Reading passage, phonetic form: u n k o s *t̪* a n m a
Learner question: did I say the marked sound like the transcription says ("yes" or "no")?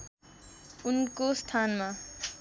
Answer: no